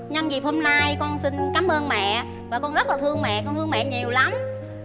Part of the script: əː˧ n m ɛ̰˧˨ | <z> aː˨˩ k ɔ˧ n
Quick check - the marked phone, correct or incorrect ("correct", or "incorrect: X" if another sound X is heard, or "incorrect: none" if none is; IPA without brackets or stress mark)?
incorrect: v